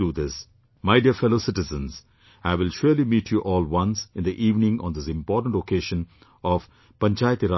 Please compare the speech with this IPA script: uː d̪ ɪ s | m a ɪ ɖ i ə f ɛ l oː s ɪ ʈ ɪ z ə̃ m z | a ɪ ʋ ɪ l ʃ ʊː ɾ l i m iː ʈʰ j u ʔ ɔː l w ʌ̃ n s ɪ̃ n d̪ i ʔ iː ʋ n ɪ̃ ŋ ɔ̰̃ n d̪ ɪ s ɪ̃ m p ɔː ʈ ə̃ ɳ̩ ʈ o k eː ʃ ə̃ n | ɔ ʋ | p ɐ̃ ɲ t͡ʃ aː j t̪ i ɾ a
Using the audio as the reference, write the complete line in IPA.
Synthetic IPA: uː d̪ ɪ s | m a ɪ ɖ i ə f ɛ l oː s ɪ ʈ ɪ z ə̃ n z | a ɪ ʋ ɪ l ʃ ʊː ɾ l i m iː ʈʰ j u ʔ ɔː l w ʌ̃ n s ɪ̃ n d̪ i ʔ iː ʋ n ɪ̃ ŋ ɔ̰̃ n d̪ ɪ s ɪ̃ m p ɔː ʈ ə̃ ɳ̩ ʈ o k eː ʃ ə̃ n | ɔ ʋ | p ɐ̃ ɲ t͡ʃ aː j t̪ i ɾ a